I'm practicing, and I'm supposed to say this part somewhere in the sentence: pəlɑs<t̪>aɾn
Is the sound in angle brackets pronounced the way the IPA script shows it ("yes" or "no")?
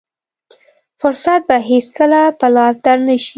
no